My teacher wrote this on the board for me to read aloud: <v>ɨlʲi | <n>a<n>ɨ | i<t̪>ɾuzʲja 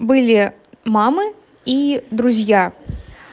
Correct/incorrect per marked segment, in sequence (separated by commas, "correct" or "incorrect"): incorrect, incorrect, incorrect, incorrect